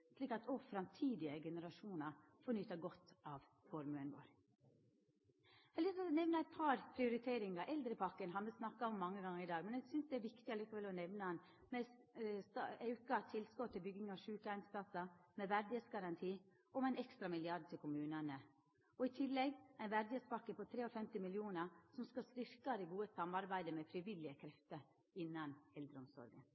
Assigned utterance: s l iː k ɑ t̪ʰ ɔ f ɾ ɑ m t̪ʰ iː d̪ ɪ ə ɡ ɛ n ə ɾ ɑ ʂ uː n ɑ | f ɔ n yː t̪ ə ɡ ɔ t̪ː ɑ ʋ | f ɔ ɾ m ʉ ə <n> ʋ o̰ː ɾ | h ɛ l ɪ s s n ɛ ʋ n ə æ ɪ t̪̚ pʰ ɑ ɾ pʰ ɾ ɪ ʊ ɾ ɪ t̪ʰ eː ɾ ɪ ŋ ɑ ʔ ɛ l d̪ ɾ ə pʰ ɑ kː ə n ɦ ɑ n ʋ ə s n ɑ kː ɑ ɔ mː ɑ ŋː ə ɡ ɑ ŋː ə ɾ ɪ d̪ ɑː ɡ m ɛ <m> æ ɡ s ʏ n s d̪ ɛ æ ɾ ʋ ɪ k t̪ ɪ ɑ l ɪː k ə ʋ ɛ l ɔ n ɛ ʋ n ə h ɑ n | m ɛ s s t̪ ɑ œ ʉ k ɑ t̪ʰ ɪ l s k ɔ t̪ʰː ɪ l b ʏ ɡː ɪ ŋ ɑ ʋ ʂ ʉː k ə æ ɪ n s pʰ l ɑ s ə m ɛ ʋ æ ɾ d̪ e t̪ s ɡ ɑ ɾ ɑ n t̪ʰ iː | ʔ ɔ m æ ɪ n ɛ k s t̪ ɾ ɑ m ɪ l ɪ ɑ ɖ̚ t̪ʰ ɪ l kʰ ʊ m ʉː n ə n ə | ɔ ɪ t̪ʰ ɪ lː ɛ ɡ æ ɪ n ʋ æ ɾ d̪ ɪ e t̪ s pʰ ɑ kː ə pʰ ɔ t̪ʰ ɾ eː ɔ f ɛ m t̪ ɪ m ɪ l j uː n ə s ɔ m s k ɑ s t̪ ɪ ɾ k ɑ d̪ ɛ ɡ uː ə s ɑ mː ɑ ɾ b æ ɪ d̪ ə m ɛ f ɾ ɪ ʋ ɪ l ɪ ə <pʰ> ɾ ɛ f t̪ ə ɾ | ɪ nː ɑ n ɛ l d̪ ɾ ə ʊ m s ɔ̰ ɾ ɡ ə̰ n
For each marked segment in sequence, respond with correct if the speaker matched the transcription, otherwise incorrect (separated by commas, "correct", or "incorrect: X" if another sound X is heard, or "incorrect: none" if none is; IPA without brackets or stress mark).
correct, incorrect: n, incorrect: kʰ